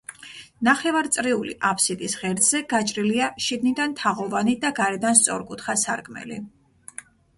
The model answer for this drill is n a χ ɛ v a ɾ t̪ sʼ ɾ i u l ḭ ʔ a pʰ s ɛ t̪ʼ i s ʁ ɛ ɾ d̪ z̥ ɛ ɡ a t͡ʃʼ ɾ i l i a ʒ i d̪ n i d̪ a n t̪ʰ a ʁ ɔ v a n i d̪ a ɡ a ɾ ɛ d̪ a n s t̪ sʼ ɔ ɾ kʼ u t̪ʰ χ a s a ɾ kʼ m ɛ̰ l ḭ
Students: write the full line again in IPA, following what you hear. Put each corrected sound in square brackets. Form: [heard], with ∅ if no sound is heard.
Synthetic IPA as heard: n a χ ɛ v a ɾ t̪ sʼ ɾ i u l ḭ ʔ a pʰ s [i] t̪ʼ i s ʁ ɛ ɾ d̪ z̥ ɛ ɡ a t͡ʃʼ ɾ i l i a [ʃ] i d̪ n i d̪ a n t̪ʰ a ʁ ɔ v a n i d̪ a ɡ a ɾ ɛ d̪ a n s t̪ sʼ ɔ ɾ kʼ u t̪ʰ χ a s a ɾ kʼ m ɛ̰ l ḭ